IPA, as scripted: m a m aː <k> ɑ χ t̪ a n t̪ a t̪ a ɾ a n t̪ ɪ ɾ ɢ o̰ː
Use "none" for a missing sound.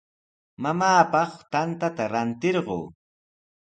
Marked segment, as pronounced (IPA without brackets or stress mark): p